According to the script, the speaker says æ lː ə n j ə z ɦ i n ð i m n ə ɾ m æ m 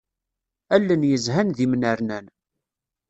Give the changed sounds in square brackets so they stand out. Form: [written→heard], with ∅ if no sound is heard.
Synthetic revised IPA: æ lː ə n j ə z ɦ [i→æ] n ð i m n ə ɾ [m→n] æ [m→n]

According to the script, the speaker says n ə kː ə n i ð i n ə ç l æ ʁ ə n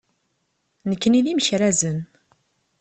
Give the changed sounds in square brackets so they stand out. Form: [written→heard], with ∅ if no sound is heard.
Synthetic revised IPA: n ə kː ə n i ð i [n→m] ə ç [l→ɾ] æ [ʁ→z] ə n

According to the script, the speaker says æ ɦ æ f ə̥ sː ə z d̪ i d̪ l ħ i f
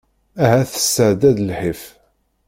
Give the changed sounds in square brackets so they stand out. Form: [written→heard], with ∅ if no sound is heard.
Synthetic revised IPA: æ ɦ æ [f→θ] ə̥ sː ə [z→ʕ] d̪ [i→æ] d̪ l ħ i f

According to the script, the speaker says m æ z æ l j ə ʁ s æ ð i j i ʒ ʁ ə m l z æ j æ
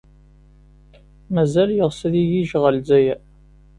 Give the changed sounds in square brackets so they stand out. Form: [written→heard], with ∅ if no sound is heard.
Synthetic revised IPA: m æ z æ l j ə ʁ s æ ð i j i ʒ ʁ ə [m→∅] l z æ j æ

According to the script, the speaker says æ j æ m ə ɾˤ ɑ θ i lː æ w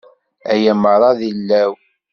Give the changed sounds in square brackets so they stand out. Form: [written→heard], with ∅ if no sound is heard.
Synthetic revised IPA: æ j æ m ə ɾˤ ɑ [θ→ð] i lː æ w

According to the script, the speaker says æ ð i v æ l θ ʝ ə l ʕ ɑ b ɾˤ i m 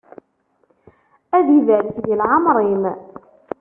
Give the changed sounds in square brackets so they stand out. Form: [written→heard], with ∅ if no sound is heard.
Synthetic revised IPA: æ ð i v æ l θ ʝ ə l ʕ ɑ [b→m] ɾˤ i m

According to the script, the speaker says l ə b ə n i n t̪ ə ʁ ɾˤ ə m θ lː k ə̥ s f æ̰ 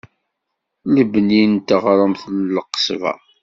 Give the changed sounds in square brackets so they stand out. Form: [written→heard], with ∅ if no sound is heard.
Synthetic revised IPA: l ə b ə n i n t̪ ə ʁ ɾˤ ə m θ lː [k→q] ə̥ s [f→v] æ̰

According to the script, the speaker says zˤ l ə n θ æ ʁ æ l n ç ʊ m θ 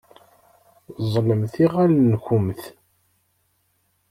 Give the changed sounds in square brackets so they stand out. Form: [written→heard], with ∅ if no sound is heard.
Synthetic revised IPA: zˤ l ə [n→m] θ [æ→i] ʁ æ l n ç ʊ m θ

